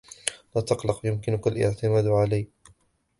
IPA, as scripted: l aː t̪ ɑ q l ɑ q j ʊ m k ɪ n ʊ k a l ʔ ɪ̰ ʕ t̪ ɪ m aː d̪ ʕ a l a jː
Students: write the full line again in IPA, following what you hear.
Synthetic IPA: l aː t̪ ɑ q l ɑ q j ʊ m k ɪ n ʊ k a l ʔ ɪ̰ ʕ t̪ ɪ m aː d̪ ʕ a l a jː